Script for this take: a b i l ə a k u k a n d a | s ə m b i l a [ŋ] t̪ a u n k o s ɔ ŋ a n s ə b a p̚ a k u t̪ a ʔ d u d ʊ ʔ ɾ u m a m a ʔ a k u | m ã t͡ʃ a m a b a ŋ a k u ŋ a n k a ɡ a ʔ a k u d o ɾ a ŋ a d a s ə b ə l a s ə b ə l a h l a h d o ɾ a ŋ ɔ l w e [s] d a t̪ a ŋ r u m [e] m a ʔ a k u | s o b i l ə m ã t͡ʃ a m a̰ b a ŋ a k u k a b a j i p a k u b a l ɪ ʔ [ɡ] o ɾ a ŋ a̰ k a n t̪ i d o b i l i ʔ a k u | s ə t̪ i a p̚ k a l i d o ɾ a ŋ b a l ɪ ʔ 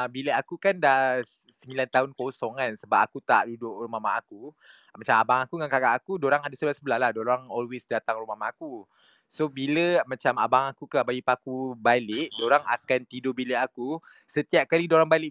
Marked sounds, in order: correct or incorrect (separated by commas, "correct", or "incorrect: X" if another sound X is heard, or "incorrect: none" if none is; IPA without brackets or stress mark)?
incorrect: n, correct, incorrect: a, incorrect: d